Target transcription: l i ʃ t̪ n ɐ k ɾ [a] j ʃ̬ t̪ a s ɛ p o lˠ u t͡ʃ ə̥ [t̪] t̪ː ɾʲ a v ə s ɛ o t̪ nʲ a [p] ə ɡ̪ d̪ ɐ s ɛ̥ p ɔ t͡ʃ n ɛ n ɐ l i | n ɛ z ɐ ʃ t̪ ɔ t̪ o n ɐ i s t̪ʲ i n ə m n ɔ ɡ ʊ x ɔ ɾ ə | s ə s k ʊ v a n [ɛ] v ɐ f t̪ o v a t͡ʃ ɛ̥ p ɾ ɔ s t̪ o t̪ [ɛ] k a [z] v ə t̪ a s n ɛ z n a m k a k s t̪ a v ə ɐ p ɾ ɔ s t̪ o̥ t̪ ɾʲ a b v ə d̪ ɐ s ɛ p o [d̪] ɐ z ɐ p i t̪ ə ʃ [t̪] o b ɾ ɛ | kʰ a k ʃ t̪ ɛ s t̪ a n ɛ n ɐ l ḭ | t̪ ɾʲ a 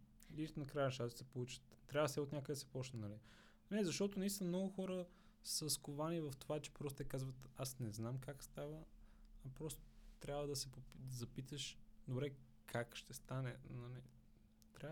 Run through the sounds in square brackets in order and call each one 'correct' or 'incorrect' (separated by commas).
correct, correct, incorrect, incorrect, correct, correct, correct, incorrect